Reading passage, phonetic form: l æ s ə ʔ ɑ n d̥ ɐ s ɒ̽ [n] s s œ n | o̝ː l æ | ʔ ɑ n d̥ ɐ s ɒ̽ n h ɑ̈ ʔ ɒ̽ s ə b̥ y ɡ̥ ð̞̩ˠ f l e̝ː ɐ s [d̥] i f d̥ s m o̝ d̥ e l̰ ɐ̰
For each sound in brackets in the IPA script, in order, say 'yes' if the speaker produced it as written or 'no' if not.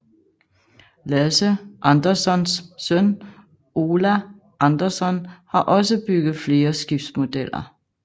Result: yes, no

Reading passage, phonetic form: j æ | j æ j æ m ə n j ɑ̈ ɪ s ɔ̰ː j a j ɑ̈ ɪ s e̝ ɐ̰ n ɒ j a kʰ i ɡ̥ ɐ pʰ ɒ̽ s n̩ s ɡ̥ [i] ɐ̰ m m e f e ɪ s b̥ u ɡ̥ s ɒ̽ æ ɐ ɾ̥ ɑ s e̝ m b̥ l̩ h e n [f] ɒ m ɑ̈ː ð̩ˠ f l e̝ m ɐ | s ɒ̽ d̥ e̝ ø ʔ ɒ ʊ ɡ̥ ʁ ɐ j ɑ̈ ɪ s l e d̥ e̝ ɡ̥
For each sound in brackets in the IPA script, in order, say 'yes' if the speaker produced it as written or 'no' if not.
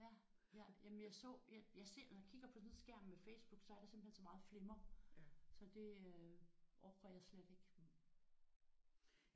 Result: no, no

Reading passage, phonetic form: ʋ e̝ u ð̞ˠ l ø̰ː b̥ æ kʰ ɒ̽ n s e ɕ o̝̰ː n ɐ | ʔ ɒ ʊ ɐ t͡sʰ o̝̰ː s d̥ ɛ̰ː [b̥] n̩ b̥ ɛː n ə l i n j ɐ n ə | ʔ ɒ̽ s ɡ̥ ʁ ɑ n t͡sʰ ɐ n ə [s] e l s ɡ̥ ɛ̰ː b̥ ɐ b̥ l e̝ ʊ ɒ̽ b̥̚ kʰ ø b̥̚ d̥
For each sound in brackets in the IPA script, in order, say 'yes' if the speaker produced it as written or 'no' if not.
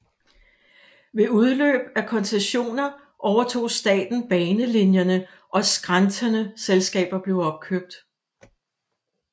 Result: no, yes

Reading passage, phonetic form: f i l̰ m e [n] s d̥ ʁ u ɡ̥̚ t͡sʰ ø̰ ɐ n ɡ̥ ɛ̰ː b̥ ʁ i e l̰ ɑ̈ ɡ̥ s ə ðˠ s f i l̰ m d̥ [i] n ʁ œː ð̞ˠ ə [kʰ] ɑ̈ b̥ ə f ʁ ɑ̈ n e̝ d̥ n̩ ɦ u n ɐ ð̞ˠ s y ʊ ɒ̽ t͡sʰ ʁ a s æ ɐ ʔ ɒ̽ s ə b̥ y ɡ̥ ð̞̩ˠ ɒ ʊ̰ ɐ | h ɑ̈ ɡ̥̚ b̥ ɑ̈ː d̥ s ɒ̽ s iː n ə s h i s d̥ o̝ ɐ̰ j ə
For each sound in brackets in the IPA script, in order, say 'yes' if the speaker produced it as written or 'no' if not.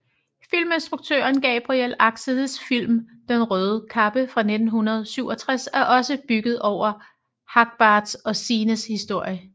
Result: yes, no, yes

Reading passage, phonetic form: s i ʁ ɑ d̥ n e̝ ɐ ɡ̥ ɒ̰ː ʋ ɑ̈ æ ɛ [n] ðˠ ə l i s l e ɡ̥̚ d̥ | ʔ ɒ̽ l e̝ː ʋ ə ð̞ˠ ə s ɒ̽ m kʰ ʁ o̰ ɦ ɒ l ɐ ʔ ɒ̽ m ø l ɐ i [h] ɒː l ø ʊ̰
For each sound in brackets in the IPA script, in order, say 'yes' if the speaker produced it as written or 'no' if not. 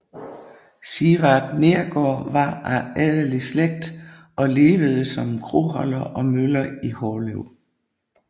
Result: no, yes

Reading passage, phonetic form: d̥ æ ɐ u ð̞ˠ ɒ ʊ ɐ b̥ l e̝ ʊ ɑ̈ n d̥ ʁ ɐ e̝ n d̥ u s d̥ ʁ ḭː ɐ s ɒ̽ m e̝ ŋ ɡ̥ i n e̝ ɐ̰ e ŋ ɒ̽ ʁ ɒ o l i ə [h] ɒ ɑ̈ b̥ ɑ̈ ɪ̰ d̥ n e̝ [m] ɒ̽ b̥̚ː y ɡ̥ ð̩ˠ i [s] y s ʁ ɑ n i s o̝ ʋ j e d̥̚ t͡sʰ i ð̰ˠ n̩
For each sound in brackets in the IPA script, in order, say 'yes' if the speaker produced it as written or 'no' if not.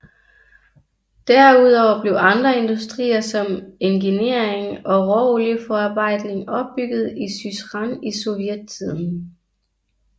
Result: no, no, yes

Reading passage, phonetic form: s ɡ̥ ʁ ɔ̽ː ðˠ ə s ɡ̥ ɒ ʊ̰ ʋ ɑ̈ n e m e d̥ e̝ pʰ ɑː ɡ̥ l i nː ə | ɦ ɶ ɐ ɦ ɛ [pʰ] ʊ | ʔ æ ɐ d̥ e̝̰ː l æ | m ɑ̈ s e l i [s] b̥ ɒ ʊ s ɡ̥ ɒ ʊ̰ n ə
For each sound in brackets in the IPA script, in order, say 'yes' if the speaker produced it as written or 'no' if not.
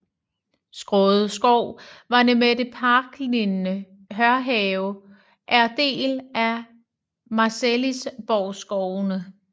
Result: no, yes

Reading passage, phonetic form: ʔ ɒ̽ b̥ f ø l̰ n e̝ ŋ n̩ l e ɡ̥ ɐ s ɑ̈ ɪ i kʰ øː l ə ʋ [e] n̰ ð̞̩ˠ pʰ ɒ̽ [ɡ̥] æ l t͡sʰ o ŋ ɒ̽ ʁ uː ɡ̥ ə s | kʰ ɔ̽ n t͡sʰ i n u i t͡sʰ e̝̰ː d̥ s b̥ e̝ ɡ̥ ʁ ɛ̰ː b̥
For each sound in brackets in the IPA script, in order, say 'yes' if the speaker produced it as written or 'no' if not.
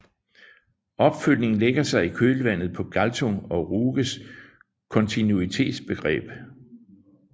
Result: no, yes

